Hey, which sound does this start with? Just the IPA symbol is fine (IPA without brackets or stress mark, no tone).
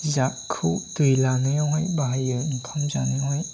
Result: z